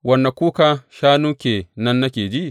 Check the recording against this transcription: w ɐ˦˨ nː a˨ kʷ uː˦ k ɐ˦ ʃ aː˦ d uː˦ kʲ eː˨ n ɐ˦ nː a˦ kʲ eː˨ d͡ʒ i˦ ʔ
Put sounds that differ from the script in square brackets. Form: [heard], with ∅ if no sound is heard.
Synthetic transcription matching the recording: w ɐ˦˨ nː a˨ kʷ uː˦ k [a˦] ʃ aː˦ [n] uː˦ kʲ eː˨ n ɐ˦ nː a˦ kʲ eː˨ d͡ʒ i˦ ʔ